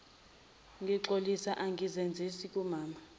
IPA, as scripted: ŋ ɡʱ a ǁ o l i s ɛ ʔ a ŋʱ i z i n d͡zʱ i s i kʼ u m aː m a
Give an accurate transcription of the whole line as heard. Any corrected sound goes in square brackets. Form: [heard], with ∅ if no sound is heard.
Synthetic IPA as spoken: ŋ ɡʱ [i] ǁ o l i s [a] ʔ a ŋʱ i z [e] n d͡zʱ i s i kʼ u m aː m a